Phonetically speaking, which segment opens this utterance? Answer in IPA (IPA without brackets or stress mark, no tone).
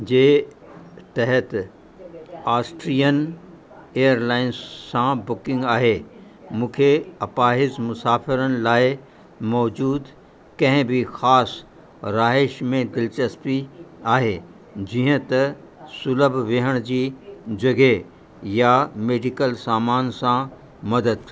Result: d͡ʑ